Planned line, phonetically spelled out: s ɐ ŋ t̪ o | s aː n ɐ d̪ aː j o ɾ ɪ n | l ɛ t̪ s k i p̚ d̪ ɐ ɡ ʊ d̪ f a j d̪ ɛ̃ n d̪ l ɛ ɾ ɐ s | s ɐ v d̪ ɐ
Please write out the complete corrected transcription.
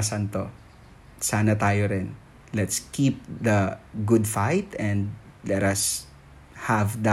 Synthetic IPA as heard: s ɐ n t̪ o | s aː n ɐ t̪ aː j o ɾ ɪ n | l ɛ t̪ s k i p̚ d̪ ɐ ɡ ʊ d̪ f a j t̪ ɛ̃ n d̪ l ɛ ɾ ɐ s | h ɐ v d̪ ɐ